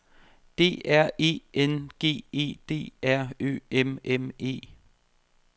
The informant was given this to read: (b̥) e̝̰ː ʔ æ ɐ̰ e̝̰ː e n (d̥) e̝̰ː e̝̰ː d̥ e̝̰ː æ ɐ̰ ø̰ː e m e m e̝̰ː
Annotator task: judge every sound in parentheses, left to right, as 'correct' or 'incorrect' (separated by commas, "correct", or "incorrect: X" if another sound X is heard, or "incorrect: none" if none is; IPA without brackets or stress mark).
incorrect: d̥, incorrect: ɡ̥